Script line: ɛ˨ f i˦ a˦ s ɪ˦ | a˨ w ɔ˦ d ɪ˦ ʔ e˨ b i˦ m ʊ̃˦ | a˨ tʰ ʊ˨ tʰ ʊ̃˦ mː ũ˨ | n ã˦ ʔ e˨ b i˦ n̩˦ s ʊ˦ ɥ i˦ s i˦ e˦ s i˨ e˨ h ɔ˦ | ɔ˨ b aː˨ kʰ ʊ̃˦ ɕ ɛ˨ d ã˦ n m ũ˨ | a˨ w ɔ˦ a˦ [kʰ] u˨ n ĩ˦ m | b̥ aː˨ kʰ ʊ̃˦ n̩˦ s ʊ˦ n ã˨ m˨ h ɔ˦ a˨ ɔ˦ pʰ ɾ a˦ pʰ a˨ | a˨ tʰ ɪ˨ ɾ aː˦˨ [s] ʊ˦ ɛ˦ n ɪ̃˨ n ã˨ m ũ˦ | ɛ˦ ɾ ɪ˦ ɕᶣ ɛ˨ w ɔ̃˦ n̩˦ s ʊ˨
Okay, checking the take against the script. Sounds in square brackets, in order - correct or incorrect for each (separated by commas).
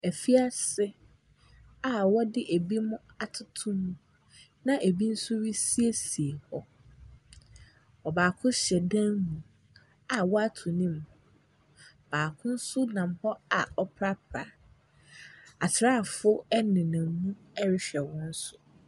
incorrect, incorrect